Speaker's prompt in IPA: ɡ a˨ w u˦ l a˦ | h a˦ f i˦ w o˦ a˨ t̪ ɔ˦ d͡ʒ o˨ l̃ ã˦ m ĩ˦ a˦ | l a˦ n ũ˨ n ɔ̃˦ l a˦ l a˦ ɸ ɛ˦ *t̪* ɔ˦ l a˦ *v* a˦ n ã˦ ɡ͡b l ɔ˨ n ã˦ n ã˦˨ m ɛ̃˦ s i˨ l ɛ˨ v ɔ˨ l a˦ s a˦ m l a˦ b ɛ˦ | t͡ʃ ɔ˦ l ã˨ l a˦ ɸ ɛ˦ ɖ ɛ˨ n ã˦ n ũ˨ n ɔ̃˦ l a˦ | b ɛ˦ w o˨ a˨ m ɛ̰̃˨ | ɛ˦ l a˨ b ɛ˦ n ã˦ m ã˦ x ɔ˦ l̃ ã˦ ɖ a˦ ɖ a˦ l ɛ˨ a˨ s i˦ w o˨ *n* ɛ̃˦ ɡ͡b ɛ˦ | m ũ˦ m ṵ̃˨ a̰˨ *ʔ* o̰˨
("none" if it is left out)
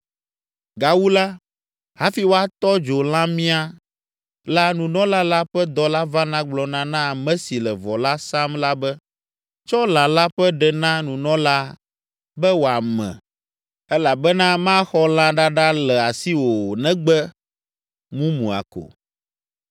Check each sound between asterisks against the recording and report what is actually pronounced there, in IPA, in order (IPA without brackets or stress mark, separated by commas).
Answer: d̪, v, n, k